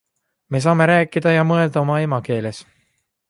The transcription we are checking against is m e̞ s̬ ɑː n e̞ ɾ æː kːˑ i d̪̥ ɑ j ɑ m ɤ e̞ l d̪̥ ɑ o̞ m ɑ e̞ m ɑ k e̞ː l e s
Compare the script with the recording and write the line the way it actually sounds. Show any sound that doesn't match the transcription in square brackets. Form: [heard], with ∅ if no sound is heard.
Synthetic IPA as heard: m e̞ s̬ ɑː [m] e̞ ɾ æː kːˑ i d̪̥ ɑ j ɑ m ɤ e̞ l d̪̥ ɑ o̞ m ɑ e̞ m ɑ k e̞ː l e s